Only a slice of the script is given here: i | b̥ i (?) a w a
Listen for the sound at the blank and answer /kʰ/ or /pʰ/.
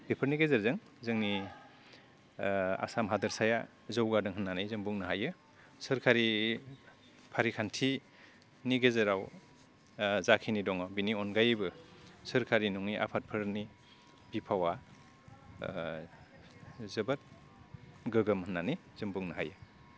pʰ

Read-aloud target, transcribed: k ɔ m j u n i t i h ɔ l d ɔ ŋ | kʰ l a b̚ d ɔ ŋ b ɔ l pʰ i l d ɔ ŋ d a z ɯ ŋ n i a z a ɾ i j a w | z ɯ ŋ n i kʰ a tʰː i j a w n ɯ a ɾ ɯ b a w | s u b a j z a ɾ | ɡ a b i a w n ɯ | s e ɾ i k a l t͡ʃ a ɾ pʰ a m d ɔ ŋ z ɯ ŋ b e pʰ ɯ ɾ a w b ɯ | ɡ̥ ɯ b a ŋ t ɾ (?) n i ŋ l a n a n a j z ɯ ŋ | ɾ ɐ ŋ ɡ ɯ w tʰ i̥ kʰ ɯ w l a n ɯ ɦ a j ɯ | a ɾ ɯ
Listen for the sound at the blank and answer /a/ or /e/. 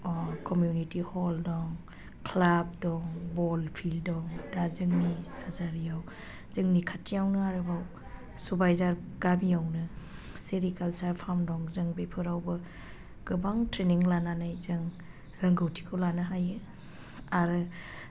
e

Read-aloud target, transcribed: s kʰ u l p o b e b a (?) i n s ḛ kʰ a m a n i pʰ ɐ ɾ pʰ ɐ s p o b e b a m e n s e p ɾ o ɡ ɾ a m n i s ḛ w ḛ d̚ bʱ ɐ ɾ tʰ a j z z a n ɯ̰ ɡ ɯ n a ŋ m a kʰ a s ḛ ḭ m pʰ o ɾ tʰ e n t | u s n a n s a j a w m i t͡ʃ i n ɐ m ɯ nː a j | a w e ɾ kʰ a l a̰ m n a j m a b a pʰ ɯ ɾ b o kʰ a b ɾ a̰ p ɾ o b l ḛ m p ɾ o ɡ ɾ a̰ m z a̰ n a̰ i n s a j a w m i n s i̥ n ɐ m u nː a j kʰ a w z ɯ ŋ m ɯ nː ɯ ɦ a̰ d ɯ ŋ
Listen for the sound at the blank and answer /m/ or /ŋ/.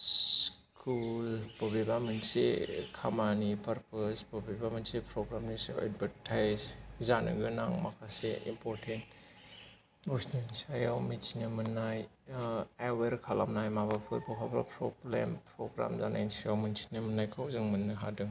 m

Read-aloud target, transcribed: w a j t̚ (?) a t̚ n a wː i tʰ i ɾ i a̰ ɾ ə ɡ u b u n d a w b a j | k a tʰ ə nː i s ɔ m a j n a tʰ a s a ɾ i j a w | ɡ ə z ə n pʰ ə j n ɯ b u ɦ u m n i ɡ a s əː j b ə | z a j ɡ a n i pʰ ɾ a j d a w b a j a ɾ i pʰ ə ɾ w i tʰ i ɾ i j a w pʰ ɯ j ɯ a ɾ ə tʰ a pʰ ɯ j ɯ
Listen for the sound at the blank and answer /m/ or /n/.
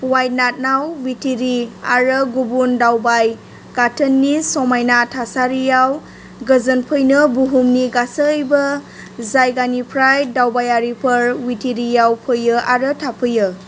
n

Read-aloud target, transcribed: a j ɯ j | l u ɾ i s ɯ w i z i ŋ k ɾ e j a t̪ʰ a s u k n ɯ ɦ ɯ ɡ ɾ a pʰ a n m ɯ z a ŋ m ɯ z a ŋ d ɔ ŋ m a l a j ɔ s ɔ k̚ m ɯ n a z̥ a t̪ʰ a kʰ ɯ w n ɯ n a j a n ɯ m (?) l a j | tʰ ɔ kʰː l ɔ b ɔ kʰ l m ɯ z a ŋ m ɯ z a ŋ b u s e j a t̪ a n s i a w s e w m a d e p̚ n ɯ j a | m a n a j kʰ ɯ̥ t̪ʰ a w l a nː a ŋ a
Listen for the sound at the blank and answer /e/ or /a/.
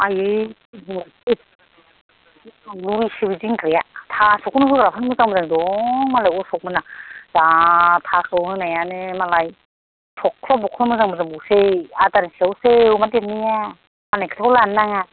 a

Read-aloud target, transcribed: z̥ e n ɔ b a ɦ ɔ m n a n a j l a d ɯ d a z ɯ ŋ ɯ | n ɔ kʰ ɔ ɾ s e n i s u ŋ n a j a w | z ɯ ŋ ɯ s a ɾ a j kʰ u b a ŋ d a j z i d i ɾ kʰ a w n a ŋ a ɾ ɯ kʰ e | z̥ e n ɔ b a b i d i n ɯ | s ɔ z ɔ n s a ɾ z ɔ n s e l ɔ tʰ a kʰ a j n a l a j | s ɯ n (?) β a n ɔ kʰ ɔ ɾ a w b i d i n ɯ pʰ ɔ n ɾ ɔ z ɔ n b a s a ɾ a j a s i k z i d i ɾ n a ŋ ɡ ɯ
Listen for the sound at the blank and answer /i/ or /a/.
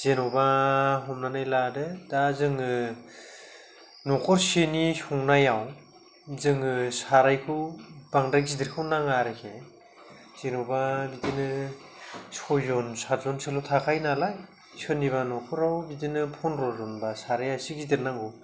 i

